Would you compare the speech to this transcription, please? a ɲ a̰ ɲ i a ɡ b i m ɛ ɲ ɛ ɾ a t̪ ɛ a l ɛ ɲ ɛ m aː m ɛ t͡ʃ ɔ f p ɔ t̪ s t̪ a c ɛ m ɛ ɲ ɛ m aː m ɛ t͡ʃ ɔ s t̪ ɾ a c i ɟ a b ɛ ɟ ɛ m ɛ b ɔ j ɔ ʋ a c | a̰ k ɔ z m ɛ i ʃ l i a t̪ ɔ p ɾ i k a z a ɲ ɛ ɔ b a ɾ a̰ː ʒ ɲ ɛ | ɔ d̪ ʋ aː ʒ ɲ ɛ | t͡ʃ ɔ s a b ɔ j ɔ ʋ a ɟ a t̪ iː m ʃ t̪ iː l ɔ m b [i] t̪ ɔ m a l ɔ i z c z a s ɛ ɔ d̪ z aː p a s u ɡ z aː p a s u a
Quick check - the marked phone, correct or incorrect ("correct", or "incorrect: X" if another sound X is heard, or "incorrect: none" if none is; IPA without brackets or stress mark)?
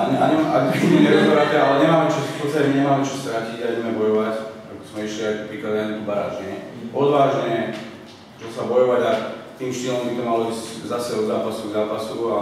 correct